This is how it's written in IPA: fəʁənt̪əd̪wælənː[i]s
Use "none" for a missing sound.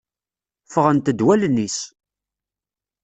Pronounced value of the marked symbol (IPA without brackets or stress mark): i